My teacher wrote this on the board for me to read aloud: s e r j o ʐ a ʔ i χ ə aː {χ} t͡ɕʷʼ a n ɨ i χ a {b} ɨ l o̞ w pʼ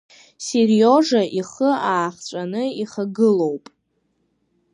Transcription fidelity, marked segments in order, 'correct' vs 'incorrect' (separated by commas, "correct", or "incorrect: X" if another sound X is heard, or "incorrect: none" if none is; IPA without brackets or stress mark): correct, incorrect: ɡ